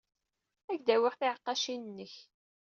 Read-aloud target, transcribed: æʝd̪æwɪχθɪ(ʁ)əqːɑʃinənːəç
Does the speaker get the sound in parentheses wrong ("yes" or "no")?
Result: yes